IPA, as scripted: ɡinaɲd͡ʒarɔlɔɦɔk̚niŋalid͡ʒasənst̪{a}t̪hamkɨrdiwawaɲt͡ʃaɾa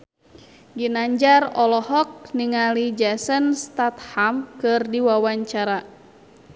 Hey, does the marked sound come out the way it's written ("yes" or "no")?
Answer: yes